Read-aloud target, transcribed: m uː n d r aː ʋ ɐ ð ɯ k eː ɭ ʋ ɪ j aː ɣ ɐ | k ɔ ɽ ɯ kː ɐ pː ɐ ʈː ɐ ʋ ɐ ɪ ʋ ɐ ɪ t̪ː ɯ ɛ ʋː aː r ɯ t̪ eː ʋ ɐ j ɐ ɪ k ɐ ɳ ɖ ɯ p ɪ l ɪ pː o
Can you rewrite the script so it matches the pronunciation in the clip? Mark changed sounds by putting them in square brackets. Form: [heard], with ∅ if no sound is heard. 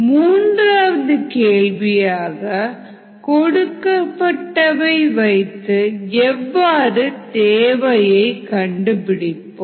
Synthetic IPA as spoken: m uː n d r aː ʋ ɐ ð ɯ k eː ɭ ʋ ɪ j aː ɣ ɐ | k ɔ ɽ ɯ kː ɐ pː ɐ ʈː ɐ ʋ ɐ ɪ ʋ ɐ ɪ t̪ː ɯ ɛ ʋː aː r ɯ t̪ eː ʋ ɐ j ɐ ɪ k ɐ ɳ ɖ ɯ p ɪ [ɽ] ɪ pː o